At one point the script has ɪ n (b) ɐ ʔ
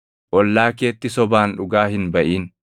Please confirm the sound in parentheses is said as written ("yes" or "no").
yes